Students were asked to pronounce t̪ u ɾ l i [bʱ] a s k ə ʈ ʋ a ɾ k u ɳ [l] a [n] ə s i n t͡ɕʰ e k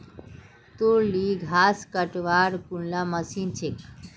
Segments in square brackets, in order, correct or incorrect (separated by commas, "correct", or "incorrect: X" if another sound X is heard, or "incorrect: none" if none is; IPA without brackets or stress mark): incorrect: ɡʱ, correct, incorrect: m